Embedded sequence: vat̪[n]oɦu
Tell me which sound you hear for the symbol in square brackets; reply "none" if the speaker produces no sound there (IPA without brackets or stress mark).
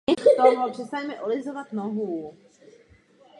n